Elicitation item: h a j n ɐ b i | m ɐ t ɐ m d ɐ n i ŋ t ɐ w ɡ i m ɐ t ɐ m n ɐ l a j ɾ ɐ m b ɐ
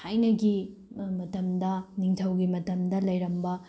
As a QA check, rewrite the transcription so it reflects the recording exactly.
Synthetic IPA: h a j n ɐ ɡ i | m ɐ t ɐ m d ɐ n i ŋ tʰ ɐ w ɡ i m ɐ t ɐ m d ɐ l ɐ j ɾ ɐ m b ɐ